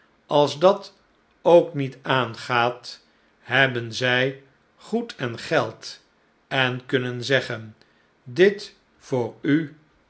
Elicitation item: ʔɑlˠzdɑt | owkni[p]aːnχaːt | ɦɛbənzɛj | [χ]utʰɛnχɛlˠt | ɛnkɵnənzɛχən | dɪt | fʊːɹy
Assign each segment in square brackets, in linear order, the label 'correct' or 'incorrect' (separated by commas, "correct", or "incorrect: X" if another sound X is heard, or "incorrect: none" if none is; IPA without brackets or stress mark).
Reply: incorrect: t, correct